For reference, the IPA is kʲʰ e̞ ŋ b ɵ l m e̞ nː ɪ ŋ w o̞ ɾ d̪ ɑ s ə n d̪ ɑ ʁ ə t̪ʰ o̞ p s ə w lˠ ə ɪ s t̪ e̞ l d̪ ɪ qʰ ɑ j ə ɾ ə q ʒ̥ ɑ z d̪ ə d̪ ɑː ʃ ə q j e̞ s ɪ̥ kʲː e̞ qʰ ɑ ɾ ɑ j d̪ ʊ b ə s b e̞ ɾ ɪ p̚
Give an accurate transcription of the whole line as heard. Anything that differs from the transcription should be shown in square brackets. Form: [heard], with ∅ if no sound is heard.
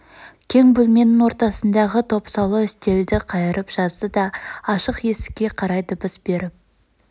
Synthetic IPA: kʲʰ e̞ ŋ b ɵ l m e̞ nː ɪ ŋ w o̞ ɾ [t̪] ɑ s ə n d̪ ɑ ʁ ə t̪ʰ o̞ p s [ɑ] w lˠ ə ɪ s t̪ e̞ l d̪ ɪ qʰ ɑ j ə ɾ ə [p] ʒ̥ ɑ z d̪ ə d̪ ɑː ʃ ə q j e̞ s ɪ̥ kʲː e̞ qʰ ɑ ɾ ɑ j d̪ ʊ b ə s b e̞ ɾ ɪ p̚

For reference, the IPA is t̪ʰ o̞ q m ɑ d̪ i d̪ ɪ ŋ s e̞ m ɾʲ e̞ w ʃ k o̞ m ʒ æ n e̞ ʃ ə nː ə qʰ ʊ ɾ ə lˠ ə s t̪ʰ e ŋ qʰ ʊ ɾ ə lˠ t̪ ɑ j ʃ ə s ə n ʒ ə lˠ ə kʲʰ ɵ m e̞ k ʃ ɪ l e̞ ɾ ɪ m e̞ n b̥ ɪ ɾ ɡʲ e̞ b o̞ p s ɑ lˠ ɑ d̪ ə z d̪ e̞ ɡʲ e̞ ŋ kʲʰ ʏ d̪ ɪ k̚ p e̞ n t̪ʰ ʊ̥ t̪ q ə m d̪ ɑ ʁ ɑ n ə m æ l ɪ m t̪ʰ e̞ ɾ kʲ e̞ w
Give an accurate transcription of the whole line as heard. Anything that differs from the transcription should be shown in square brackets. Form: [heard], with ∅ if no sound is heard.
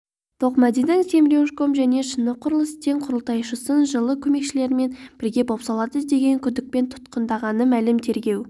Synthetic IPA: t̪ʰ o̞ q m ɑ d̪ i d̪ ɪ ŋ s e̞ m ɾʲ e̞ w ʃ k o̞ m ʒ æ n e̞ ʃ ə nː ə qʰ ʊ ɾ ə lˠ ə s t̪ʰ e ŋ qʰ ʊ ɾ ə lˠ t̪ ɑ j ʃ ə s ə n ʒ ə lˠ ə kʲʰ ɵ m e̞ k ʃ ɪ l e̞ ɾ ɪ m e̞ n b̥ ɪ ɾ ɡʲ e̞ b o̞ p s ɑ lˠ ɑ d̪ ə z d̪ e̞ ɡʲ e̞ ŋ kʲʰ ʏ d̪ ɪ k̚ p e̞ n t̪ʰ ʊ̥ t̪ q ə [n] d̪ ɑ ʁ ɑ n ə m æ l ɪ m t̪ʰ e̞ ɾ [ɡʲ] e̞ w

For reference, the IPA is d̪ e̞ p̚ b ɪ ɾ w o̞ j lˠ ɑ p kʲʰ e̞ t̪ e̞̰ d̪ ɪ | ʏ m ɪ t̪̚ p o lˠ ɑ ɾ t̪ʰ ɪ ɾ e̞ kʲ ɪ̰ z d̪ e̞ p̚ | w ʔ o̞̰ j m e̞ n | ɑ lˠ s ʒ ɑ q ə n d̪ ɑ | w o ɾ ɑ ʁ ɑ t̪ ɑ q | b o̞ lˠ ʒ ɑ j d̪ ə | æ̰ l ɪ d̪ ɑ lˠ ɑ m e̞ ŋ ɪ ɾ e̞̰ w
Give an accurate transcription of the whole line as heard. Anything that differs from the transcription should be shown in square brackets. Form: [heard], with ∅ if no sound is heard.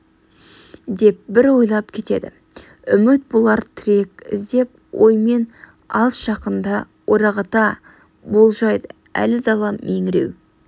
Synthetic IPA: d̪ e̞ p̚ b ɪ ɾ w o̞ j lˠ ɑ p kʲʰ e̞ t̪ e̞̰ d̪ ɪ | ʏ m ɪ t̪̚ [b] o lˠ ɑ ɾ t̪ʰ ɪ ɾ e̞ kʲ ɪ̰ z d̪ e̞ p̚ | w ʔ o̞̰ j m e̞ n | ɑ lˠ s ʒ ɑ q ə n d̪ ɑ | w o ɾ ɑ ʁ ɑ t̪ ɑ [∅] | b o̞ lˠ ʒ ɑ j d̪ ə | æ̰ l ɪ d̪ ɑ lˠ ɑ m e̞ ŋ ɪ ɾ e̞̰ w

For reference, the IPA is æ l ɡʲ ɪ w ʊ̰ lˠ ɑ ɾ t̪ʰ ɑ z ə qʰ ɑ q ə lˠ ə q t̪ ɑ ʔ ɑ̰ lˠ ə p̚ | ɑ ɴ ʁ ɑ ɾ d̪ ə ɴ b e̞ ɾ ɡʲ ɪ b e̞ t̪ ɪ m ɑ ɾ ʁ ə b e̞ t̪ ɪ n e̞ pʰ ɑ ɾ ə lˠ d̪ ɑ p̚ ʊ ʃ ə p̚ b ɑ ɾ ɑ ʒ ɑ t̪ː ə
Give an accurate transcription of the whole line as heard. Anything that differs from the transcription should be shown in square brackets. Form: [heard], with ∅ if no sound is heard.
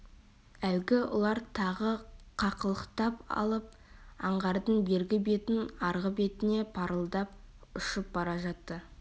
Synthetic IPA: æ l ɡʲ ɪ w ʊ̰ lˠ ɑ ɾ t̪ʰ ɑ [ʁ] ə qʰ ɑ q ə lˠ ə q t̪ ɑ [p] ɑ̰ lˠ ə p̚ | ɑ ɴ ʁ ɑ ɾ d̪ ə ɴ b e̞ ɾ ɡʲ ɪ b e̞ t̪ ɪ [n] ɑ ɾ ʁ ə b e̞ t̪ ɪ n e̞ pʰ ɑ ɾ ə lˠ d̪ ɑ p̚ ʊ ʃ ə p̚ b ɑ ɾ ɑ ʒ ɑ t̪ː ə

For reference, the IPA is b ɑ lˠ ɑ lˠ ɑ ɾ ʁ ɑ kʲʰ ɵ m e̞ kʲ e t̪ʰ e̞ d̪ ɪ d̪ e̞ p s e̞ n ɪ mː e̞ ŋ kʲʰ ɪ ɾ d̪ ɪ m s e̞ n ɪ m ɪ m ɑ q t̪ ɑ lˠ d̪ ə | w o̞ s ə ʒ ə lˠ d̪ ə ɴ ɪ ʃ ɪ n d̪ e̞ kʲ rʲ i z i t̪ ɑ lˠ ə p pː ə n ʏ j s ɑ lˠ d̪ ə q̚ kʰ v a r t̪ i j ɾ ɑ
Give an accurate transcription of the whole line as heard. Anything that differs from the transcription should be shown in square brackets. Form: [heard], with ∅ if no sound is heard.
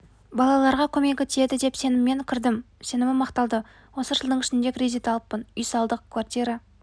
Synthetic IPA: b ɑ lˠ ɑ lˠ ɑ ɾ ʁ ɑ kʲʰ ɵ m e̞ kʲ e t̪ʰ e̞ d̪ ɪ d̪ e̞ p s e̞ n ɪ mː e̞ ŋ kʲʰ ɪ ɾ d̪ ɪ m s e̞ n ɪ m ɪ m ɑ q t̪ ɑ lˠ d̪ ə | w o̞ s ə ʒ ə lˠ d̪ ə ɴ ɪ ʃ ɪ n d̪ e̞ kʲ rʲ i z i t̪ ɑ lˠ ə p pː ə n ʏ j s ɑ lˠ d̪ ə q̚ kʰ v a r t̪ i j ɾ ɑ

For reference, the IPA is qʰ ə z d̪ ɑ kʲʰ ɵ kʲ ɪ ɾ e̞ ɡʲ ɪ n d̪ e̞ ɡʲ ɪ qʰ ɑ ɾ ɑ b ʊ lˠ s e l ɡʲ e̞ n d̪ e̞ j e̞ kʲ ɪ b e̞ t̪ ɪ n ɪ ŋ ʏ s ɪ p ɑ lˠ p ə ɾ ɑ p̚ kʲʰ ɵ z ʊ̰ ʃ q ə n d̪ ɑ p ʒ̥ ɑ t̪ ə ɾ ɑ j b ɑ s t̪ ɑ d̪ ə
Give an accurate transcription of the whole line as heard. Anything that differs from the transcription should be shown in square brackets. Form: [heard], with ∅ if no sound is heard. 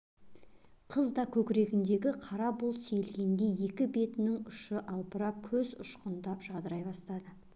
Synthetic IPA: qʰ ə z d̪ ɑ kʲʰ ɵ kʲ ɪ ɾ e̞ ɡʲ ɪ n d̪ e̞ ɡʲ ɪ qʰ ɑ ɾ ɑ b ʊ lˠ s e l ɡʲ e̞ n d̪ e̞ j e̞ kʲ ɪ b e̞ t̪ ɪ n ɪ ŋ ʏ [ʃ] ɪ [ʔ] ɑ lˠ p ə ɾ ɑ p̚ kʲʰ ɵ z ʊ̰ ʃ q ə n d̪ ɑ p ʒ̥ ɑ [d̪] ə ɾ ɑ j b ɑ s t̪ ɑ d̪ ə

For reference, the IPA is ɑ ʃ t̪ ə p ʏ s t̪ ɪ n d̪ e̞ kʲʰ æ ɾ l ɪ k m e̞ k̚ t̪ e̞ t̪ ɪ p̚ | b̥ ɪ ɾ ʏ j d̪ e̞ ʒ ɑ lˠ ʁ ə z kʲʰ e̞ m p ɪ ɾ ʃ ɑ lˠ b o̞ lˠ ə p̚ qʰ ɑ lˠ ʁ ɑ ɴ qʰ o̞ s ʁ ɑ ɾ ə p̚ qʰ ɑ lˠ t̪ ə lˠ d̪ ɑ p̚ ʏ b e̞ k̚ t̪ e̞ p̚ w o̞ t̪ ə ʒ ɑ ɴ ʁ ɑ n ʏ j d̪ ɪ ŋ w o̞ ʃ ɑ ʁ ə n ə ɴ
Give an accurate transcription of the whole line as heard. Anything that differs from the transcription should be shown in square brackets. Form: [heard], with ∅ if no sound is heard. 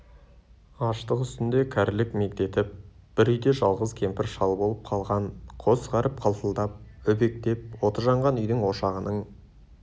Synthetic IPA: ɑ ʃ t̪ ə [q] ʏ s t̪ ɪ n d̪ e̞ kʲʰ æ ɾ l ɪ k m e̞ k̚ t̪ e̞ t̪ ɪ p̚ | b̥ ɪ ɾ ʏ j d̪ e̞ ʒ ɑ lˠ ʁ ə z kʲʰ e̞ m p ɪ ɾ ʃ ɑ lˠ b o̞ lˠ ə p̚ qʰ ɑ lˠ ʁ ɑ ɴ qʰ o̞ s ʁ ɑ ɾ ə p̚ qʰ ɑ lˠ t̪ ə lˠ d̪ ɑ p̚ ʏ b e̞ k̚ t̪ e̞ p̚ w o̞ t̪ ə ʒ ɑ ɴ ʁ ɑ n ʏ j d̪ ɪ ŋ w o̞ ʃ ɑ ʁ ə n ə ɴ

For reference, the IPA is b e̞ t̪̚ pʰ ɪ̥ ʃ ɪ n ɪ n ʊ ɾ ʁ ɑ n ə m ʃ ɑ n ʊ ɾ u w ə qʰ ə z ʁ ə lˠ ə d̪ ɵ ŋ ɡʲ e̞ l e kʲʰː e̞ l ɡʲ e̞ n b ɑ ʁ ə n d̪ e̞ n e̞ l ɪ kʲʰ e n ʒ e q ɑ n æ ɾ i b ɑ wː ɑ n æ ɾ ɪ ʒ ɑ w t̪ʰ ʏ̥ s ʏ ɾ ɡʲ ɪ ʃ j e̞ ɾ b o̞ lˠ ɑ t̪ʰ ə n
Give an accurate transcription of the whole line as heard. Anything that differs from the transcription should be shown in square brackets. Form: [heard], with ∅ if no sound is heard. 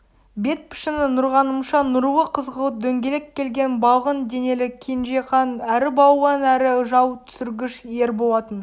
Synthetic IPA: b e̞ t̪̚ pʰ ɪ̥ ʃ ɪ n ɪ n ʊ ɾ ʁ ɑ n ə m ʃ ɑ n ʊ ɾ u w ə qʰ ə z ʁ ə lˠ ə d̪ ɵ ŋ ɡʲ e̞ l e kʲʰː e̞ l ɡʲ e̞ n b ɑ ʁ ə n d̪ e̞ n e̞ l ɪ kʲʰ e n ʒ e q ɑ n æ ɾ [ɪ] b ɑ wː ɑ n æ ɾ ɪ ʒ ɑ w t̪ʰ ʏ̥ s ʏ ɾ ɡʲ ɪ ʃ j e̞ ɾ b o̞ lˠ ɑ [t̪] ə n

